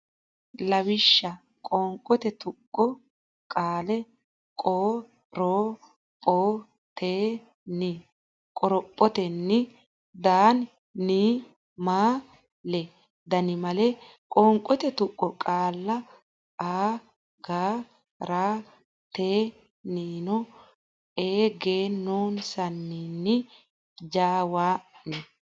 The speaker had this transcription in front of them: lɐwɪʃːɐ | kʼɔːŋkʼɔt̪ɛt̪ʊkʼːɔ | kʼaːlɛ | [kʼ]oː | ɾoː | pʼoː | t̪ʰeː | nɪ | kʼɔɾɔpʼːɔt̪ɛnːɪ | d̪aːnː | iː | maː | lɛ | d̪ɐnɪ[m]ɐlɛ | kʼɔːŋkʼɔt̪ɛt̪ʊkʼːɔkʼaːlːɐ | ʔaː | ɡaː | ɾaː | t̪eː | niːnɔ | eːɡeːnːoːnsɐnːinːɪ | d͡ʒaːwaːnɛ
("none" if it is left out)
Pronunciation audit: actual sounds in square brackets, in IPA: kʼ, m

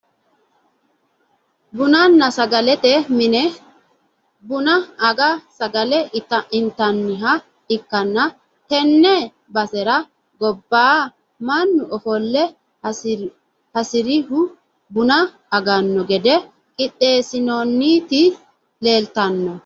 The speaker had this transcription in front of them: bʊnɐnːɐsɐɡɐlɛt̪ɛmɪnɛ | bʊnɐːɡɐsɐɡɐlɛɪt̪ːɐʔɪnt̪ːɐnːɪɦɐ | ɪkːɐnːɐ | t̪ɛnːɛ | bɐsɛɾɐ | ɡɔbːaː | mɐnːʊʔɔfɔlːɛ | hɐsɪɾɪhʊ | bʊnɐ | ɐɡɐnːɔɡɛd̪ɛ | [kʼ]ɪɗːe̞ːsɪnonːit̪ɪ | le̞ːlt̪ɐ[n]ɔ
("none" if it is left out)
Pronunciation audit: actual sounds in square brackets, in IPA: kʼ, nː

